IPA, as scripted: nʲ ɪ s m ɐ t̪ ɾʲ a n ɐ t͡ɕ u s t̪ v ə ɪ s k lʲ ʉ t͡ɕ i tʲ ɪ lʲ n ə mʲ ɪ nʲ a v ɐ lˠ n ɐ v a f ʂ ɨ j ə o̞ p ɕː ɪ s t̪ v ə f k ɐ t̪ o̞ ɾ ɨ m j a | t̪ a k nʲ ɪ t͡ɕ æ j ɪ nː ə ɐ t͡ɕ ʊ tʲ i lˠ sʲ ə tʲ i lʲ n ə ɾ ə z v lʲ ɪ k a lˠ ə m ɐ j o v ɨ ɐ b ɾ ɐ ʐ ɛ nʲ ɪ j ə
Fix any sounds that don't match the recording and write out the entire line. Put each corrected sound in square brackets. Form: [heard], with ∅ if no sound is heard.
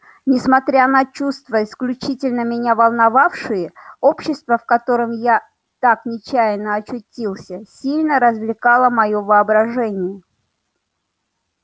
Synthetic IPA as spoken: nʲ ɪ s m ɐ t̪ ɾʲ a n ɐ t͡ɕ u s t̪ v ə ɪ s k lʲ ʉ t͡ɕ i tʲ ɪ lʲ n ə mʲ ɪ nʲ a v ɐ lˠ n ɐ v a f ʂ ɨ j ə o̞ p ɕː ɪ s t̪ v ə f k ɐ t̪ o̞ ɾ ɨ m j a | t̪ a k nʲ ɪ t͡ɕ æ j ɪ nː ə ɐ t͡ɕ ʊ tʲ i lˠ sʲ ə [sʲ] i lʲ n ə ɾ ə z v lʲ ɪ k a lˠ ə m ɐ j o v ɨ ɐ b ɾ ɐ ʐ ɛ nʲ ɪ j ə